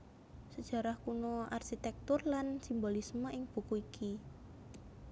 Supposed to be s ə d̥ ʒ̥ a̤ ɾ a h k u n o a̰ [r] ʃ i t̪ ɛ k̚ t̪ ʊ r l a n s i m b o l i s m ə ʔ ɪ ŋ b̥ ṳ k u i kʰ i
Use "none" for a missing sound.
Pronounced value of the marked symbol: r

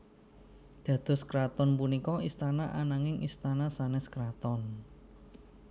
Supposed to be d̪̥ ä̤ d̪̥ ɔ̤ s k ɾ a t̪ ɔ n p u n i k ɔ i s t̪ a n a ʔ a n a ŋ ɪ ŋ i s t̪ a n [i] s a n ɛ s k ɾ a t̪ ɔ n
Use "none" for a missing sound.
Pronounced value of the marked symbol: a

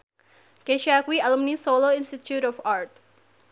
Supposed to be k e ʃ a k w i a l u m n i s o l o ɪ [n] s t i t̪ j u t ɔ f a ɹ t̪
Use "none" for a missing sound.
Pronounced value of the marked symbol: n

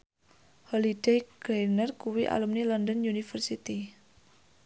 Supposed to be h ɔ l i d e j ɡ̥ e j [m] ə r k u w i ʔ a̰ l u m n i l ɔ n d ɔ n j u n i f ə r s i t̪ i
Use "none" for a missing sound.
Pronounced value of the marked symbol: n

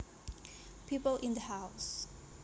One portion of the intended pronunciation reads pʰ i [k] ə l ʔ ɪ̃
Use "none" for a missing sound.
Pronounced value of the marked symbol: p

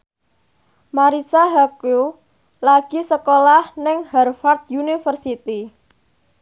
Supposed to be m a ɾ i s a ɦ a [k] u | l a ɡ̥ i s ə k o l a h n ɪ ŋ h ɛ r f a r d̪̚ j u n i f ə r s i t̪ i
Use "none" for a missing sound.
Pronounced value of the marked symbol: k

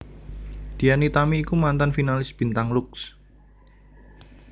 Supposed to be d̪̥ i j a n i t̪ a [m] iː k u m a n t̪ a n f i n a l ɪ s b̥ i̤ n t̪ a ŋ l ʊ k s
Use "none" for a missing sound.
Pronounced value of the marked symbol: m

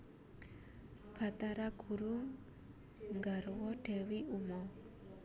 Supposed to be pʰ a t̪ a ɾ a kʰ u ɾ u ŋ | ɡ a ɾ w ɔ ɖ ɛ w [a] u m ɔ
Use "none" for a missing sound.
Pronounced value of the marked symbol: i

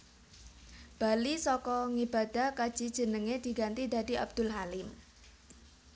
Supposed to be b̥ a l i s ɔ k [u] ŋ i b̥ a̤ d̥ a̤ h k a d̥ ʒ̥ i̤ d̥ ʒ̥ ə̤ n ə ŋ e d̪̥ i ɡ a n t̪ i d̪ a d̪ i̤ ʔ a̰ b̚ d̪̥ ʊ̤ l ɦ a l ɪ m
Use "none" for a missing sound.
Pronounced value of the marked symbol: ɔ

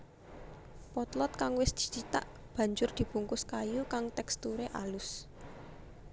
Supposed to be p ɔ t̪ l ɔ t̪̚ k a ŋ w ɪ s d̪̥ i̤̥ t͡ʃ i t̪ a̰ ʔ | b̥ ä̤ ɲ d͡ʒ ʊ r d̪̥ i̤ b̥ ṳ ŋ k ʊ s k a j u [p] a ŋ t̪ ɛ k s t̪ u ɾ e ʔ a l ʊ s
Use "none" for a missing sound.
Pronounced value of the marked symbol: k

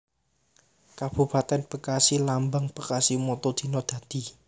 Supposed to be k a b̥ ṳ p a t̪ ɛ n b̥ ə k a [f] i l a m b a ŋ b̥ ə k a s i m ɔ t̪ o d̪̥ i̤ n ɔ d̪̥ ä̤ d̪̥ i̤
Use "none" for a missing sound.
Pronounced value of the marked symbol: s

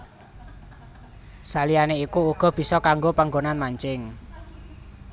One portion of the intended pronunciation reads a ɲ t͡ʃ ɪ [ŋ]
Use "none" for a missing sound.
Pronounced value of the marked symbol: ŋ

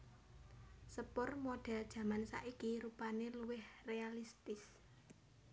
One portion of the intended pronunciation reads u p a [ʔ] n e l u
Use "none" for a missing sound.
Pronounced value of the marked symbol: none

